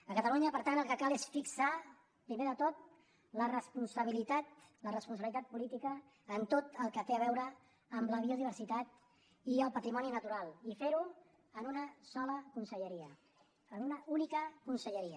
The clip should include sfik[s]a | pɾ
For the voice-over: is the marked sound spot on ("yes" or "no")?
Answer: yes